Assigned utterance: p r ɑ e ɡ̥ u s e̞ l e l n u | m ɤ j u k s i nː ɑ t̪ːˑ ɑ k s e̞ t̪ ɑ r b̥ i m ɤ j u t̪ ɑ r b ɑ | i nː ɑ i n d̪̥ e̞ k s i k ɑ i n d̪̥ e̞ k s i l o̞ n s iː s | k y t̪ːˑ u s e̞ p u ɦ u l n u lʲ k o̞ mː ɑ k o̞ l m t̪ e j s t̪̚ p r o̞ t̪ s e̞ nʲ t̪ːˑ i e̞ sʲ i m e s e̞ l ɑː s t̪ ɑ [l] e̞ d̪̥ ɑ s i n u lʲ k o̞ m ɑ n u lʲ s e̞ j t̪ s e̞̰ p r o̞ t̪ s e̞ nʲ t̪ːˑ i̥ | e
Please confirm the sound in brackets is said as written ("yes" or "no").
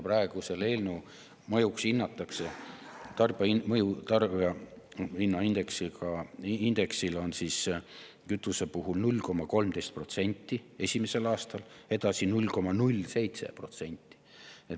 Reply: yes